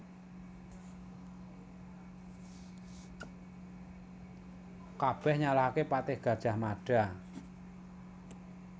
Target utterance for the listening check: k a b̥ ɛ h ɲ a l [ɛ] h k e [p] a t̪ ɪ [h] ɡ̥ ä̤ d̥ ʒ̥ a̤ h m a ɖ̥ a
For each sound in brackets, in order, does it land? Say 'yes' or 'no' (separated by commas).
no, yes, yes